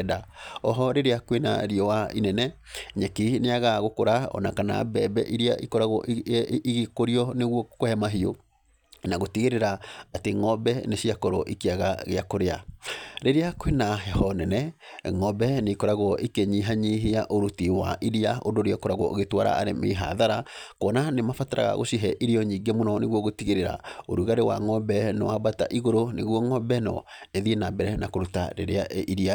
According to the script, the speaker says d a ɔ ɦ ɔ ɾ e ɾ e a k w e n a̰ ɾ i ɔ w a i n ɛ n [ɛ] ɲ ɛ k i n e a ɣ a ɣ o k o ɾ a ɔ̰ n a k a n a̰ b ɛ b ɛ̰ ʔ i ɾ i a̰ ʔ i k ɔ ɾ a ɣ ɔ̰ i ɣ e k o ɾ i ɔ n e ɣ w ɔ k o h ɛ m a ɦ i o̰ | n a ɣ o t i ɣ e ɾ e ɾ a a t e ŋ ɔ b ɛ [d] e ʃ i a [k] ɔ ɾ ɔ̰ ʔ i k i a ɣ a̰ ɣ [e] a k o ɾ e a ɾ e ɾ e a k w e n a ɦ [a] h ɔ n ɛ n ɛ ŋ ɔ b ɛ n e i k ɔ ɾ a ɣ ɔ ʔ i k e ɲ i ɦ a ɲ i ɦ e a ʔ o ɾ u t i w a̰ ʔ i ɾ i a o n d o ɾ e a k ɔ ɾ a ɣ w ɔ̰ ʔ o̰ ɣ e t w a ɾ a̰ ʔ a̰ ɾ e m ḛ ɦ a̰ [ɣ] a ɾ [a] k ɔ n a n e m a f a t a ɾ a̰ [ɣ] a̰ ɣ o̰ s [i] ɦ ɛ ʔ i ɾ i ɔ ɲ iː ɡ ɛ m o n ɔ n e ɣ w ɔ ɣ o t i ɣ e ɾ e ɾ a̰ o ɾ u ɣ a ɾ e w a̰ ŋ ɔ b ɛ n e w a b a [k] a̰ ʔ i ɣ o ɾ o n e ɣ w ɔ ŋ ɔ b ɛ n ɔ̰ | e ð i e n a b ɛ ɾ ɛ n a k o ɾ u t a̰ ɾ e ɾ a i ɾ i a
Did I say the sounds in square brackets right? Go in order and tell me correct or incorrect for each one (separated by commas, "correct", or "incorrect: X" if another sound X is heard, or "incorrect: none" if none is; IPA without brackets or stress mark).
correct, incorrect: n, correct, correct, incorrect: ɛ, incorrect: ð, correct, correct, correct, incorrect: t